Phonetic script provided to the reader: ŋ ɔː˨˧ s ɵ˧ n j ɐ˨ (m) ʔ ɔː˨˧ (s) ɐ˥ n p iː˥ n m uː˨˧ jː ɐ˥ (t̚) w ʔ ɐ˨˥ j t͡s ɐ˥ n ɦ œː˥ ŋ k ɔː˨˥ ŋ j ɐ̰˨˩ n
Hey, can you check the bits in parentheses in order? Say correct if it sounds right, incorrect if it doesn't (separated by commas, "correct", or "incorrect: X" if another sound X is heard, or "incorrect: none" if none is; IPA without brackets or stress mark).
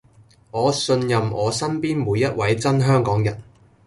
correct, correct, correct